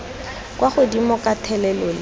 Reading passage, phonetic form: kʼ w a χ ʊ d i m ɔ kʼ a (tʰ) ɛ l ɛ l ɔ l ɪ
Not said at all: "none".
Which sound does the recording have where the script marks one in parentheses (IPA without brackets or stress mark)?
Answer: tʰ